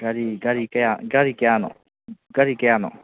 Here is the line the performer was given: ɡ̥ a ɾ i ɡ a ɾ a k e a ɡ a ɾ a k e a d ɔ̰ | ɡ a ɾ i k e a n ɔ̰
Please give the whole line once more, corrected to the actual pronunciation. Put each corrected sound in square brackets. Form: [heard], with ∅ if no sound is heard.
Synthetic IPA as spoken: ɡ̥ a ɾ i ɡ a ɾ [i] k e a ɡ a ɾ [i] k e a [n] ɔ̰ | ɡ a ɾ i k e a n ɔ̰